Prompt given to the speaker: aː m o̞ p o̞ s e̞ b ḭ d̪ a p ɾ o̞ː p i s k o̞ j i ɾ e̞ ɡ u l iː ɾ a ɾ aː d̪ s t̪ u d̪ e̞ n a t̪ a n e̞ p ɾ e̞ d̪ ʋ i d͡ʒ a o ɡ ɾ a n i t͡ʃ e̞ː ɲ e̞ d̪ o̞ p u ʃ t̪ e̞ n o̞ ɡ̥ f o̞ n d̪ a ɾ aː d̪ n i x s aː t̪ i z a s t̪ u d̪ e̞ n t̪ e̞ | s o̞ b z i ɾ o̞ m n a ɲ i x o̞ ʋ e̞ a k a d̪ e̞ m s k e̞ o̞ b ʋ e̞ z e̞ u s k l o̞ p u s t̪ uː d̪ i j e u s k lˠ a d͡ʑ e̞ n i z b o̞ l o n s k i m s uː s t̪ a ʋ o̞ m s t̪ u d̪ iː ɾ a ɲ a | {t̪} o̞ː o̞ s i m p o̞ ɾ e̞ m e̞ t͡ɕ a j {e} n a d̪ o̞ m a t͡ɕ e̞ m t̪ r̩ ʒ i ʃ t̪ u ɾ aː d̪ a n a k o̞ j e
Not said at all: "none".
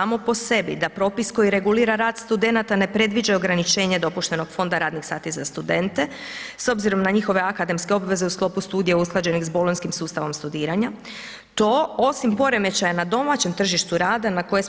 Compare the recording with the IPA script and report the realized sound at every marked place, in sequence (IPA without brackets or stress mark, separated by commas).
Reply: t̪, a